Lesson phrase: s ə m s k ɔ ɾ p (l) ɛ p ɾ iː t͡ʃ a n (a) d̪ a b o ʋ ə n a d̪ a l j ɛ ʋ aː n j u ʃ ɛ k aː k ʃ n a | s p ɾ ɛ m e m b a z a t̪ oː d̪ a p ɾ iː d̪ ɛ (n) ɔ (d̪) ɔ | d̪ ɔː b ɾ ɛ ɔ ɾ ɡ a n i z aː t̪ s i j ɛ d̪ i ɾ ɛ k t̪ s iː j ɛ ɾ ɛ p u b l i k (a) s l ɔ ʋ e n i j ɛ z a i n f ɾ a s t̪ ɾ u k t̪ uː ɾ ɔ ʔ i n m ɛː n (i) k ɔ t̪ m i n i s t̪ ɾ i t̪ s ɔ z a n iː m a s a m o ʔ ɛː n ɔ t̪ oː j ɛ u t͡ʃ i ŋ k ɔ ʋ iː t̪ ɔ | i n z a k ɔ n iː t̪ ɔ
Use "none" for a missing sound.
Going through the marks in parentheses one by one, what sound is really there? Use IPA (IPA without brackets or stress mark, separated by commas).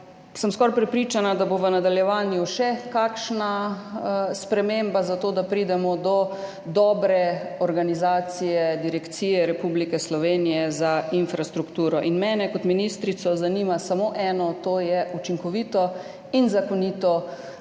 ɾ, a, m, d̪, ɛ, ɛ